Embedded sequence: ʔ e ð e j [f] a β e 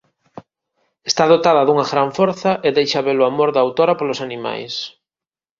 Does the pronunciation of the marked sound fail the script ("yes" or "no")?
yes